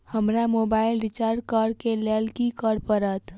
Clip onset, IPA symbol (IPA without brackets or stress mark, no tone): h